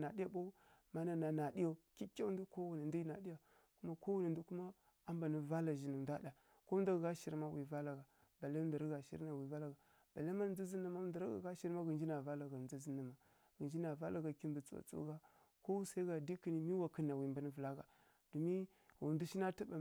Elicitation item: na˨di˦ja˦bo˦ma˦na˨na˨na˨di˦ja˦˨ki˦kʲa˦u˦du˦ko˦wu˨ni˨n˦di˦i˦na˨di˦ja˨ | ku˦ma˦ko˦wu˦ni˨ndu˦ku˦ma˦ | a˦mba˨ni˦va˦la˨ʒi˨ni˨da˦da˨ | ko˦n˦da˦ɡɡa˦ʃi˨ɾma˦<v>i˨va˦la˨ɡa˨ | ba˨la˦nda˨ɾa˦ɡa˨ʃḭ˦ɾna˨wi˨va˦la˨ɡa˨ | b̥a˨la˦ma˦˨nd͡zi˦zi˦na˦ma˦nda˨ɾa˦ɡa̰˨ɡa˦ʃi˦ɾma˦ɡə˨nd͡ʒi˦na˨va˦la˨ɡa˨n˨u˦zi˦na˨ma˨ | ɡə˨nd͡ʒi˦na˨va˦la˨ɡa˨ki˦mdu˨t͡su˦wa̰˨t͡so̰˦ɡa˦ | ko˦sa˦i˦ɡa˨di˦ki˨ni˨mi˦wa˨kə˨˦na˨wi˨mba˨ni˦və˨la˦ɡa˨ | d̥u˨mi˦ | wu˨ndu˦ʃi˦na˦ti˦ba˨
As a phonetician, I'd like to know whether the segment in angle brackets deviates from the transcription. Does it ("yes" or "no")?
yes